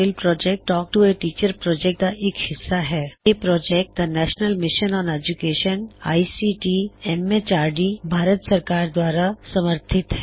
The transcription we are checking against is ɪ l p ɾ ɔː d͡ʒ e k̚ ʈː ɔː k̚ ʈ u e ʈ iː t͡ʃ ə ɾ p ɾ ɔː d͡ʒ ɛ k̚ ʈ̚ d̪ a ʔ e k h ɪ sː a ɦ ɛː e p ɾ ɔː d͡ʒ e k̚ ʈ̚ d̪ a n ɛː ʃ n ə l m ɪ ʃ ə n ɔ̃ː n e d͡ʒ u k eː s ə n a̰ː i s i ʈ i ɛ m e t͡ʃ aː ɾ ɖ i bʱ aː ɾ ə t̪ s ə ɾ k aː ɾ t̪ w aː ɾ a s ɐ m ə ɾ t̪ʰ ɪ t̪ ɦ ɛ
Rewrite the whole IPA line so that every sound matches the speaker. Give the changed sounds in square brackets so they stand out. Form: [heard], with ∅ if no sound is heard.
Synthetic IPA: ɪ l p ɾ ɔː d͡ʒ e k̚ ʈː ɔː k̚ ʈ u e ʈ iː t͡ʃ ə ɾ p ɾ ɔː d͡ʒ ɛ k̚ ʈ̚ d̪ a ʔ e k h ɪ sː a ɦ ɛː e p ɾ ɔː d͡ʒ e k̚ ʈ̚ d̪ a n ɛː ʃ n ə l m ɪ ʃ ə n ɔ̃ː n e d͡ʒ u k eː [ʃ] ə n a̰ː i s i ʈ i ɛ m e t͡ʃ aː ɾ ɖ i bʱ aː ɾ ə t̪ s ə ɾ k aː ɾ [d̪] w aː ɾ a s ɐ m ə ɾ t̪ʰ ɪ t̪ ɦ ɛ